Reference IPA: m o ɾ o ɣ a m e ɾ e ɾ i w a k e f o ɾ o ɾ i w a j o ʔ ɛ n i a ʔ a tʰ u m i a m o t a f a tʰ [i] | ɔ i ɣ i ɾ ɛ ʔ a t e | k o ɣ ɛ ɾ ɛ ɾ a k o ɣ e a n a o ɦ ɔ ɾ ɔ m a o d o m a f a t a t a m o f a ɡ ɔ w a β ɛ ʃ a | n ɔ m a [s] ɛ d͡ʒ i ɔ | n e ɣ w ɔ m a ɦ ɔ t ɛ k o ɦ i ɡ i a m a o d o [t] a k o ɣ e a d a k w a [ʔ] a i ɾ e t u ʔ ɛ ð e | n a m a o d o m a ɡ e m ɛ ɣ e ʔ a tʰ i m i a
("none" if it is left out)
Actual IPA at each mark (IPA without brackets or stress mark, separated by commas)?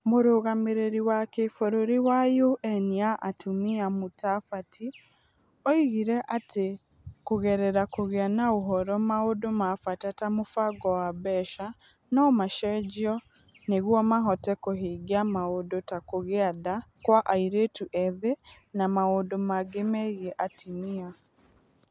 i, ʃ, t, ʔ